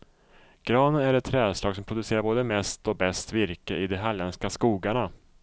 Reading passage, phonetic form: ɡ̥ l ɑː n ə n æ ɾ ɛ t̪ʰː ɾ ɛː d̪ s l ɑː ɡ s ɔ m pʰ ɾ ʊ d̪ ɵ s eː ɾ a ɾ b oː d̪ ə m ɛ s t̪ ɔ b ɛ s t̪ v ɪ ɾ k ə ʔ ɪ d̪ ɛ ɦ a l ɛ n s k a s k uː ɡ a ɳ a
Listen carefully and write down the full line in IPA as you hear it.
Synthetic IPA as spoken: ɡ̥ ɾ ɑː n ə n æ ɾ ɛ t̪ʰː ɾ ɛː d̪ s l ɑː ɡ s ɔ m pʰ ɾ ʊ d̪ ɵ s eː ɾ a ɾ b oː d̪ ə m ɛ s t̪ ɔ b ɛ s t̪ v ɪ ɾ k ə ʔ ɪ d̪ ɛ ɦ a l ɛ n s k a s k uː ɡ a ɳ a